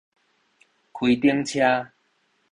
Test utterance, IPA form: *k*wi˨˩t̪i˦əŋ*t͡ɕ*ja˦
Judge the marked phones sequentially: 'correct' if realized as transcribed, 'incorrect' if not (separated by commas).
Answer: incorrect, incorrect